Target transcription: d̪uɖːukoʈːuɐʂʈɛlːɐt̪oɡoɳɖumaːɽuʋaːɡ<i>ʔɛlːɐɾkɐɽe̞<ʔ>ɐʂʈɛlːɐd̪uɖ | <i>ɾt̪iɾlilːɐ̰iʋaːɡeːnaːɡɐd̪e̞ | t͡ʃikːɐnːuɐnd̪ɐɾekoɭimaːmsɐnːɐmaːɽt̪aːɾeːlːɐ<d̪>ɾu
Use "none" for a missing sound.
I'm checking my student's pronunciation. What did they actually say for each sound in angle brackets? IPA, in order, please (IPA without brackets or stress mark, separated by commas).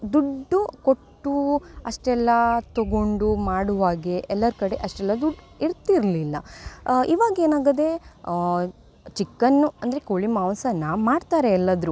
e, ʔ, i, d̪